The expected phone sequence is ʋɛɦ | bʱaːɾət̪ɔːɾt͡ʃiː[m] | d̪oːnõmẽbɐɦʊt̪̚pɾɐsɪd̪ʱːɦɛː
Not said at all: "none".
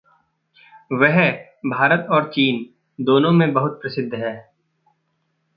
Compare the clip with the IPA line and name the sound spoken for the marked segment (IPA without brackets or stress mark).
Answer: n